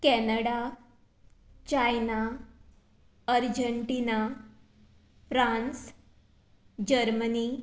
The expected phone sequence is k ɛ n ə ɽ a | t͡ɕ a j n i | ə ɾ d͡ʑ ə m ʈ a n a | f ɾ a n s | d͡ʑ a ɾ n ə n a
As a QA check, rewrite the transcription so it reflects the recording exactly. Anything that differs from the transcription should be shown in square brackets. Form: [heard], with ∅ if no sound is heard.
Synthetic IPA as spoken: k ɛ n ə ɽ a | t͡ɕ a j n [a] | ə ɾ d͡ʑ ə [ɳ] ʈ [i] n a | f ɾ a n s | d͡ʑ [ə] ɾ [m] ə n [i]